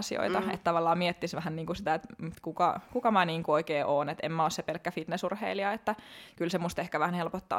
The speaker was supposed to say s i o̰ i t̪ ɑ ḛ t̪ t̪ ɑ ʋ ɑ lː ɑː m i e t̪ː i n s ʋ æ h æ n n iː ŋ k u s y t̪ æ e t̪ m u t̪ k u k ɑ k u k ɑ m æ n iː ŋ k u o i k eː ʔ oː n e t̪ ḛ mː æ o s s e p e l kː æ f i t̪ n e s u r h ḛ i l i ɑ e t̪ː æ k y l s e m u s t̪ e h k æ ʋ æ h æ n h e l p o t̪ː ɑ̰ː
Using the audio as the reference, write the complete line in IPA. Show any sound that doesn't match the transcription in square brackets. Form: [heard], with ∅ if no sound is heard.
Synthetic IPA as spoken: s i o̰ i t̪ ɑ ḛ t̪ t̪ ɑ ʋ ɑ lː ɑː m i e t̪ː i [∅] s ʋ æ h æ n n iː ŋ k u s [i] t̪ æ e t̪ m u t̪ k u k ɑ k u k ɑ m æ n iː ŋ k u o i k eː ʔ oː n e t̪ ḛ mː æ o s s e p e l kː æ f i t̪ n e s u r h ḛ i l i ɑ e t̪ː æ k y l s e m u s t̪ e h k æ ʋ æ h æ n h e l p o t̪ː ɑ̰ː